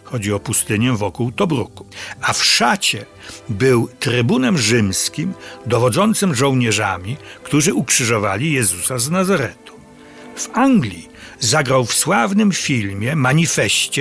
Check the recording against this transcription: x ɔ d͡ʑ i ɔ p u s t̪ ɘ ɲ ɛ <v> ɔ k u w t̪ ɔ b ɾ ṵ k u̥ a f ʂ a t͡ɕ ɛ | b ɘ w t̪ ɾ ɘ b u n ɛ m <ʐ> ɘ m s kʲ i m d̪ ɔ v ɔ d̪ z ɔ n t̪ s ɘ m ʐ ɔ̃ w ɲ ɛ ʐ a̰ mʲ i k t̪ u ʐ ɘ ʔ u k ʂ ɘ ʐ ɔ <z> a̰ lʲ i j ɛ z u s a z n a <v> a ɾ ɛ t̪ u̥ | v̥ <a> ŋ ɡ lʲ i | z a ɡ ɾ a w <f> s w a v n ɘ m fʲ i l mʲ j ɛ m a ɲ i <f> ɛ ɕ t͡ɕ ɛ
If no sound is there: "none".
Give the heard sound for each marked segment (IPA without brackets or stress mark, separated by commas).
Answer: v, ʐ, v, z, a, f, f